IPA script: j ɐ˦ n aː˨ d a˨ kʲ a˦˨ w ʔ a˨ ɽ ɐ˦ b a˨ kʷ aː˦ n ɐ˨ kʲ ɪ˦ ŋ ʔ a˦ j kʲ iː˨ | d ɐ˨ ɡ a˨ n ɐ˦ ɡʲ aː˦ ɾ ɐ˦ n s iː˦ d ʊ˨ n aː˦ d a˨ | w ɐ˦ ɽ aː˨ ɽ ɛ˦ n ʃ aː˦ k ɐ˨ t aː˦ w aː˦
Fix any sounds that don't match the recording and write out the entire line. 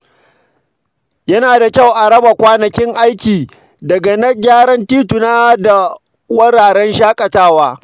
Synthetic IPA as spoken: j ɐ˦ n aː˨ d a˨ kʲ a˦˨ w ʔ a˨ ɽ ɐ˦ b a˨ kʷ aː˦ n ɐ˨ kʲ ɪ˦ ŋ ʔ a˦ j kʲ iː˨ | d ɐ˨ ɡ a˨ n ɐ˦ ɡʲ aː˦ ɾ ɐ˦ n t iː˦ t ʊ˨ n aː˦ d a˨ | w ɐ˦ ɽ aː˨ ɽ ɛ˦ n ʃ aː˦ kʼ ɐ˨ t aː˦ w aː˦